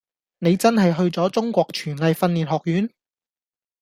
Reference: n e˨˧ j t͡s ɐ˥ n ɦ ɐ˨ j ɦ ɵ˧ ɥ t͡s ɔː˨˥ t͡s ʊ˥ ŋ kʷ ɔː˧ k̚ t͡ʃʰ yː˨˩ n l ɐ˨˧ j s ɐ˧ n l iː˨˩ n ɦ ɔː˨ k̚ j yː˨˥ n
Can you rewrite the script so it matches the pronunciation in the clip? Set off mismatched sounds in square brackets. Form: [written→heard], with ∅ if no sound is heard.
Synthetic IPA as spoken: n e˨˧ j t͡s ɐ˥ n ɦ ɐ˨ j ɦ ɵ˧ ɥ t͡s ɔː˨˥ t͡s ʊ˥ ŋ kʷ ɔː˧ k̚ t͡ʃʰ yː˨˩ n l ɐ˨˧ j [s→f] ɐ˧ n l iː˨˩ n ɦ ɔː˨ k̚ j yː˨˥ n